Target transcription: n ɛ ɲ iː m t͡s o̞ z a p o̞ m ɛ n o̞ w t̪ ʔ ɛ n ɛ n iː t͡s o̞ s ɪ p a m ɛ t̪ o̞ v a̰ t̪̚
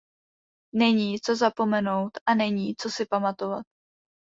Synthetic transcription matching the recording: n ɛ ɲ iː t͡s o̞ z a p o̞ m ɛ n o̞ w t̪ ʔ a n ɛ ɲ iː t͡s o̞ s ɪ p a m a t̪ o̞ v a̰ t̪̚